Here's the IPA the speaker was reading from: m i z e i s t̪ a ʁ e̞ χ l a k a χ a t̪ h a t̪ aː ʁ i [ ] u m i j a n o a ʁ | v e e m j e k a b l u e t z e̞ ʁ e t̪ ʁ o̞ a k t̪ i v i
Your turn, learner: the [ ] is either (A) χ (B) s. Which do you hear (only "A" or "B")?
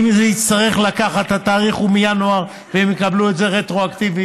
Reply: A